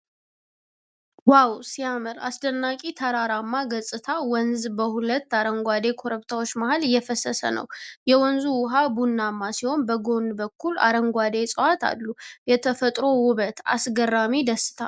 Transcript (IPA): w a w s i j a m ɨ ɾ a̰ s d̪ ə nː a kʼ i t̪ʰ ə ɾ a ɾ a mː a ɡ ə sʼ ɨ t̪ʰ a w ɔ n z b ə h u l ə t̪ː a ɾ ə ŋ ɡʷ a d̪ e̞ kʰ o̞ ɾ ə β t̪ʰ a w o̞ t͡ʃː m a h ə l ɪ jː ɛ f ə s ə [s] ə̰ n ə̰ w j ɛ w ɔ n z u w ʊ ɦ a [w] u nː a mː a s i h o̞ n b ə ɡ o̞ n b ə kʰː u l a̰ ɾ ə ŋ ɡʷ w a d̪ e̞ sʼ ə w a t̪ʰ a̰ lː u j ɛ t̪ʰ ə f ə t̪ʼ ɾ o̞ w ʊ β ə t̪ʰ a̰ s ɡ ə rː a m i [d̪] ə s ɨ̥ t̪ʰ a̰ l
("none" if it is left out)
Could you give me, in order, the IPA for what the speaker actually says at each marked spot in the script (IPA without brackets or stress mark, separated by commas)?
s, b, d̪